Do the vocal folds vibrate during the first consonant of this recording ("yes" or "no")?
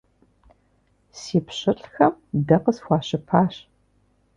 no